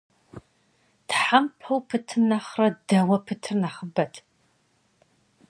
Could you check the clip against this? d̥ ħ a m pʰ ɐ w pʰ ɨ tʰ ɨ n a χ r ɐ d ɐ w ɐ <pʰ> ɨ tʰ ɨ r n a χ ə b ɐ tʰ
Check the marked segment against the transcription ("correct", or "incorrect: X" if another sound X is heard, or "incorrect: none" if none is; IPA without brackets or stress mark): correct